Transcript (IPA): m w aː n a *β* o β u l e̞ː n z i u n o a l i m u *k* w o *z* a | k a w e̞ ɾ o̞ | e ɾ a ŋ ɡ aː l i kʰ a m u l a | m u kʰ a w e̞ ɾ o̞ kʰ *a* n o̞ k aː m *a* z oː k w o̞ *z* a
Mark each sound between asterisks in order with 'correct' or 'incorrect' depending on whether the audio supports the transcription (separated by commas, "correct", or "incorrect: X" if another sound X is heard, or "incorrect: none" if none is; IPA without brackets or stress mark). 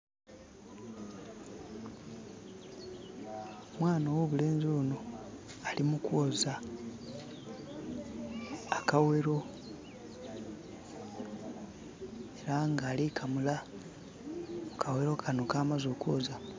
incorrect: w, correct, correct, correct, correct, correct